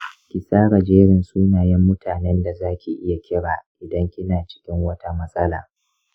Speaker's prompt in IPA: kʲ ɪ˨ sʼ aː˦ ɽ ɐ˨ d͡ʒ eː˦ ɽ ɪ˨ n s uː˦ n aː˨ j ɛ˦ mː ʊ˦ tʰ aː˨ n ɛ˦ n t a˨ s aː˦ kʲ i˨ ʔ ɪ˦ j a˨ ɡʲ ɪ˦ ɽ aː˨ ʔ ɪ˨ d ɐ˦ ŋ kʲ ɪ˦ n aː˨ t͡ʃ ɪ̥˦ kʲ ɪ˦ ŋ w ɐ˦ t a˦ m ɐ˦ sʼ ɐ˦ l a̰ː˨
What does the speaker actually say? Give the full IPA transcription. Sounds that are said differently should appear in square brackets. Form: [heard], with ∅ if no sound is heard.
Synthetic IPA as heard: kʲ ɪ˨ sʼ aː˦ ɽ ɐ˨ d͡ʒ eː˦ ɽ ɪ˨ n s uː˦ n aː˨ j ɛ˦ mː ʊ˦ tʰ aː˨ n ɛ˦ n [d] a˨ [z] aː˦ kʲ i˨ ʔ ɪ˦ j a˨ [kʲ] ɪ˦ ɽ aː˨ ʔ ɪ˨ d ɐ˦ ŋ kʲ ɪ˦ n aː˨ t͡ʃ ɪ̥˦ kʲ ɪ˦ ŋ w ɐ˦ t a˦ m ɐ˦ sʼ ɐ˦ l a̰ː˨